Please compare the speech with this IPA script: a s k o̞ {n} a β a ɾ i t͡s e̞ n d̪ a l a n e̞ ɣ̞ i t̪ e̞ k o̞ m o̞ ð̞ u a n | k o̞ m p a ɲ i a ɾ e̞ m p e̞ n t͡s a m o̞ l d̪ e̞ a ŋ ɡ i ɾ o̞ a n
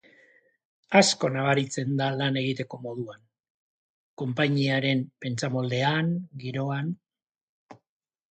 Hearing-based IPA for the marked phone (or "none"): n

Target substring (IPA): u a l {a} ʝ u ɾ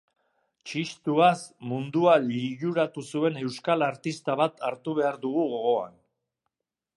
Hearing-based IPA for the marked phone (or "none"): i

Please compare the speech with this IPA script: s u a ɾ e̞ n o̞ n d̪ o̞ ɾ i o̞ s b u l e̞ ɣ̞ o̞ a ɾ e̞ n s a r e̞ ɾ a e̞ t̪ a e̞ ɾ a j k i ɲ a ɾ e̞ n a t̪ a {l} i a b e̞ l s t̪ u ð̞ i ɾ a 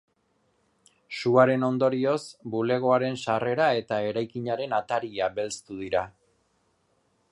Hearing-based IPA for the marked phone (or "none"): ɾ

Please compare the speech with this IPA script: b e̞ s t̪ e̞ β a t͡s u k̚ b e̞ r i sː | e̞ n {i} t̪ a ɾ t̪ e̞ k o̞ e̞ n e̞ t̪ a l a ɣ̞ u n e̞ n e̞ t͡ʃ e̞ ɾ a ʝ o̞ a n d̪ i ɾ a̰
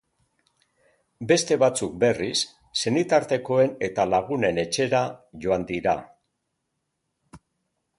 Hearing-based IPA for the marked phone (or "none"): i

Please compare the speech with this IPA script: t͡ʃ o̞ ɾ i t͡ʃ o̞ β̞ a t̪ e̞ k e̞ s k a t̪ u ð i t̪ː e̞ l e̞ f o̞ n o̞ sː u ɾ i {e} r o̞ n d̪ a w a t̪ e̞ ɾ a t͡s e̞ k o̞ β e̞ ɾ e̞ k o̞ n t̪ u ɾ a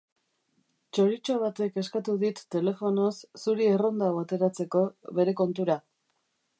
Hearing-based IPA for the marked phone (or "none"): e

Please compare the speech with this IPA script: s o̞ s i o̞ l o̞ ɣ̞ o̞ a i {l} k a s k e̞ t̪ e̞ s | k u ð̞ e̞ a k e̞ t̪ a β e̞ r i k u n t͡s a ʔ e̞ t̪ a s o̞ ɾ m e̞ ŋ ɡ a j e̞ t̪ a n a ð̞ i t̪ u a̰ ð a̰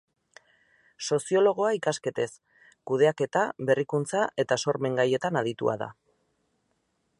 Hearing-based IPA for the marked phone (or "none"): none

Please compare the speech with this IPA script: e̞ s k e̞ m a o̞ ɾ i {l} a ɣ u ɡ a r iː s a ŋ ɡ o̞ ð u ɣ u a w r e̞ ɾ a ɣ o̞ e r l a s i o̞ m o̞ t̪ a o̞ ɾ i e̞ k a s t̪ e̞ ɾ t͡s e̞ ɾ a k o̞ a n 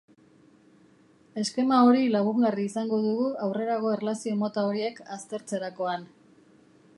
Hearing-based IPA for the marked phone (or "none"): l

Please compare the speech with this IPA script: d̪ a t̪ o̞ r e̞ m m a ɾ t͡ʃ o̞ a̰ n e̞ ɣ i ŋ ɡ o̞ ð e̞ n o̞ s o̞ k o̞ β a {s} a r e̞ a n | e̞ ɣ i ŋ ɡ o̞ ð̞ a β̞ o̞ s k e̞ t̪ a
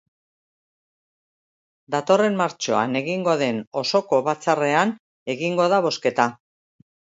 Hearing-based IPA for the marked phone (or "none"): t͡s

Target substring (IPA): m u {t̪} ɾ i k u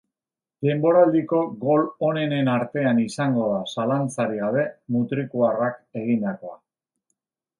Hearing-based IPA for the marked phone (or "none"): t̪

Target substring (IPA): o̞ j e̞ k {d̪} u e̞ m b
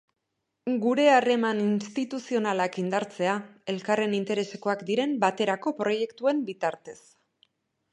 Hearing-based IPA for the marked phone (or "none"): t̪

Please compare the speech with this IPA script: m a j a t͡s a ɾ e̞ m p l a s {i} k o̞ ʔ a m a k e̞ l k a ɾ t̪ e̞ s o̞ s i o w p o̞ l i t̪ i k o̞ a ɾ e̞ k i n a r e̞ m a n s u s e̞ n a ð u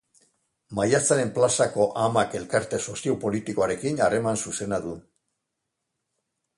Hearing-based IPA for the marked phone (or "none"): a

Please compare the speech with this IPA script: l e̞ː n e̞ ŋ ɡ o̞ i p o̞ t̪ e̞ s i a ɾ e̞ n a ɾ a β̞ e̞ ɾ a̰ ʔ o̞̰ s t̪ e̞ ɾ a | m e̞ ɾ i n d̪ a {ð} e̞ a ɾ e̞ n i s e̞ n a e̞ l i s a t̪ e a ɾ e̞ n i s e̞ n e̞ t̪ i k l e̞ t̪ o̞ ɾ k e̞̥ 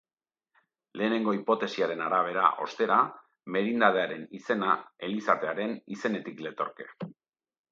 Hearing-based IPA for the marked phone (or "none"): ð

